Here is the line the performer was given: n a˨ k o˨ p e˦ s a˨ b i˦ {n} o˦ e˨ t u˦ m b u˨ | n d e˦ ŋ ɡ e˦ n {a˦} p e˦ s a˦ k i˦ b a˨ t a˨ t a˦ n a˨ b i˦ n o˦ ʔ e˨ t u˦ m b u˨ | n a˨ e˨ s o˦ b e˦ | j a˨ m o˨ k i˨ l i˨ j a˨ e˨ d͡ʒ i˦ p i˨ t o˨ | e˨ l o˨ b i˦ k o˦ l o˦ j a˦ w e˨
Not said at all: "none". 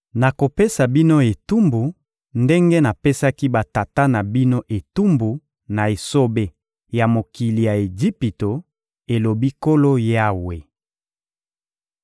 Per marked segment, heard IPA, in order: n, a˨

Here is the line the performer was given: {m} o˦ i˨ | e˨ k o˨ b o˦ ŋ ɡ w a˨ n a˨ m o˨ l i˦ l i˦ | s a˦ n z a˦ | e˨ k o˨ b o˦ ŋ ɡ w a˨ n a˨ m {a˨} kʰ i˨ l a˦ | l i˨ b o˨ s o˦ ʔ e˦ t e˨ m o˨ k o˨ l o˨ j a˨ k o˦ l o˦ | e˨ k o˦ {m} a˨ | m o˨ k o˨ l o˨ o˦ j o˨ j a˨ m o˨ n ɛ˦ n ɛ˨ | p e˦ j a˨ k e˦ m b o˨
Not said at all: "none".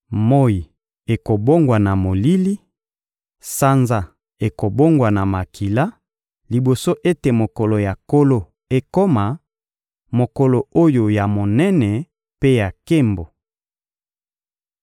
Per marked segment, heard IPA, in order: m, a˨, m

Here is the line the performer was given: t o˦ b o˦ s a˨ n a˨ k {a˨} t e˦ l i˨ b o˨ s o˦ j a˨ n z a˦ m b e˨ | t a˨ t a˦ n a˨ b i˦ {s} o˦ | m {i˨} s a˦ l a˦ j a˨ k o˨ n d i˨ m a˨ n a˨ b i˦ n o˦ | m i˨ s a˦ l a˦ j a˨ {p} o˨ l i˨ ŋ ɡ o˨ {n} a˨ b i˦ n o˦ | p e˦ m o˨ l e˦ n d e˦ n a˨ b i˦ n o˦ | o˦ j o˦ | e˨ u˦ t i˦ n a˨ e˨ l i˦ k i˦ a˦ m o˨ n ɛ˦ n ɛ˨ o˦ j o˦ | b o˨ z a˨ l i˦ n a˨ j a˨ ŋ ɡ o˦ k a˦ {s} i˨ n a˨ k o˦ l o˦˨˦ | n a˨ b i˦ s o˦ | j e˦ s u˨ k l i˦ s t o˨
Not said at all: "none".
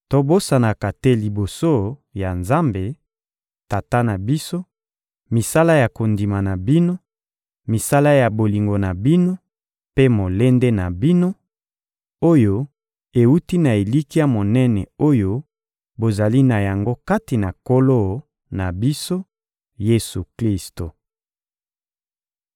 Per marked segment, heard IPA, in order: a˨, s, i˨, b, n, t

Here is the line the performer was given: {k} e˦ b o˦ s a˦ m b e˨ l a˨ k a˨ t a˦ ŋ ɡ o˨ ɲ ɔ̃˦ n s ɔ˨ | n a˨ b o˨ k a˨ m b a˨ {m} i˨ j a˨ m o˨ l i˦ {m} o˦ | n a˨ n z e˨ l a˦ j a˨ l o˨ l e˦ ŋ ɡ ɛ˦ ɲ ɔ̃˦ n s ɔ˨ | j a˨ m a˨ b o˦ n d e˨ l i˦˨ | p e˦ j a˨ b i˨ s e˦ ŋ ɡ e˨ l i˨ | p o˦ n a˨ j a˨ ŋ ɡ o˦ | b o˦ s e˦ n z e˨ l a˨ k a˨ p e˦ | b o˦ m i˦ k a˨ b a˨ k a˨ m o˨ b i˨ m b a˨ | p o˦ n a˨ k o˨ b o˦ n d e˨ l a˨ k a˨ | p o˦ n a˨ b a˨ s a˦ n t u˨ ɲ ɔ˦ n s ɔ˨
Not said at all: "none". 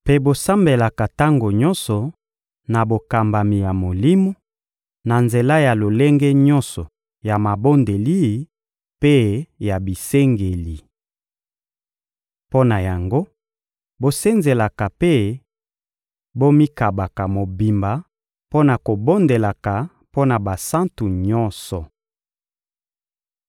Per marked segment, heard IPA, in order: p, m, m

